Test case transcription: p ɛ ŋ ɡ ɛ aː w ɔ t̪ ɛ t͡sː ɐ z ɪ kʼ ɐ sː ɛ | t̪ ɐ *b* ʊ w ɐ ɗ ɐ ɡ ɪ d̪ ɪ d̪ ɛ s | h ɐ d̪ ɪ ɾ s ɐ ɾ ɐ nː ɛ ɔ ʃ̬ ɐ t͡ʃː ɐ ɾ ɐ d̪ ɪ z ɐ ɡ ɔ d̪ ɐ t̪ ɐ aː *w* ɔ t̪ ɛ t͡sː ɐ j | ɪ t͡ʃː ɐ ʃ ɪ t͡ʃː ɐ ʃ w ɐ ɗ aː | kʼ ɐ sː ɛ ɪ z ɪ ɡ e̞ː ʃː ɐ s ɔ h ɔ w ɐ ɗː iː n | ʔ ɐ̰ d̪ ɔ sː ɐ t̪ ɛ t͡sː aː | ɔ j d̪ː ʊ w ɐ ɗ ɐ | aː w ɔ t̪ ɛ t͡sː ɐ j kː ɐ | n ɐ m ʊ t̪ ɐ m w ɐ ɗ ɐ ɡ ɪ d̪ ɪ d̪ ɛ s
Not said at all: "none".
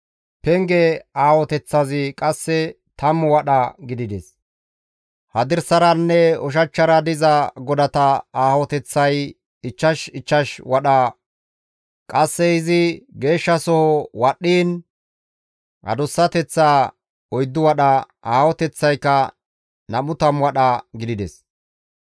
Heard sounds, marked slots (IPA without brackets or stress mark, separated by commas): m, w